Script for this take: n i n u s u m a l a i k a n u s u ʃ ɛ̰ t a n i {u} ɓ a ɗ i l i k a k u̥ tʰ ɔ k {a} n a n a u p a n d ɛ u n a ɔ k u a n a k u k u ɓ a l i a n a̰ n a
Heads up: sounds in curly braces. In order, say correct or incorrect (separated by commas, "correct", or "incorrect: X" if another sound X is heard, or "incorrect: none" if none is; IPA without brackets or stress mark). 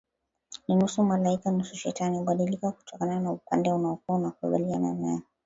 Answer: correct, correct